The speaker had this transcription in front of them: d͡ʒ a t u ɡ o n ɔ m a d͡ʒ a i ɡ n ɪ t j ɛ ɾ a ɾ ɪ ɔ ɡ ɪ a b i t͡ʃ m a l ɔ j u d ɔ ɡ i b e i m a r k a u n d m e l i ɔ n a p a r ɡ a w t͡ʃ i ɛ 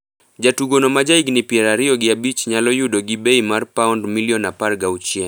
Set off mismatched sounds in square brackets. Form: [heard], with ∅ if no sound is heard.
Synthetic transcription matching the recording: d͡ʒ a t u ɡ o n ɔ m a d͡ʒ a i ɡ n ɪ [p] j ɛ ɾ a ɾ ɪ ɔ ɡ ɪ a b i t͡ʃ [ɲ] a l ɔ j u d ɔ ɡ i b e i m a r [p] a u n d m [i] l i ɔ n a p a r ɡ a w t͡ʃ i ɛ